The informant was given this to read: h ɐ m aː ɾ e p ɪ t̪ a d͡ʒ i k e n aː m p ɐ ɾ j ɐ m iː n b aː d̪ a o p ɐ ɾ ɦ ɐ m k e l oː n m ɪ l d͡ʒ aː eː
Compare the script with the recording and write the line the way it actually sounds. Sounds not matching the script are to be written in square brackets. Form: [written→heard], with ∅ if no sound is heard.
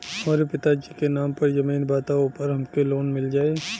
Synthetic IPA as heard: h ɐ m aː ɾ e p ɪ t̪ a d͡ʒ i k e n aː m p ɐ ɾ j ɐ m iː n b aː [d̪→t̪] a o p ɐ ɾ ɦ ɐ m k e l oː n m ɪ l d͡ʒ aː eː